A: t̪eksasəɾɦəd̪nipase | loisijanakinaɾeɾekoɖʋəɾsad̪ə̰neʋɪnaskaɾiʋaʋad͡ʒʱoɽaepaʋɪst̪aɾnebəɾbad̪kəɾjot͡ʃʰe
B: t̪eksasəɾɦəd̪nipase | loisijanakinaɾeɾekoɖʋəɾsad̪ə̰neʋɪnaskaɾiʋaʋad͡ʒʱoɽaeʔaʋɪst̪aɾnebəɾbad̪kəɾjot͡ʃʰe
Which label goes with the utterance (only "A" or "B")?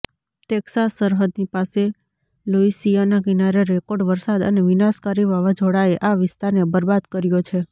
B